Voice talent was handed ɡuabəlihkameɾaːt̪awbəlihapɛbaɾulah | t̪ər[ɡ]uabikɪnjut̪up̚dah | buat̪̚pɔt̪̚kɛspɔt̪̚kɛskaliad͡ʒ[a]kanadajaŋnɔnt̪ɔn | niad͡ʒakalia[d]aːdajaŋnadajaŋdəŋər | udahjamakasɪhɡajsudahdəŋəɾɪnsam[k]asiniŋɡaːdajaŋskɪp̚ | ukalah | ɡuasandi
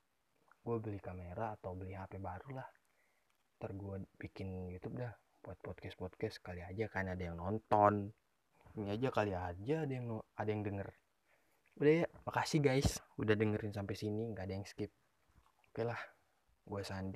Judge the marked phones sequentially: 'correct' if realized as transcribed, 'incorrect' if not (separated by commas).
correct, correct, incorrect, incorrect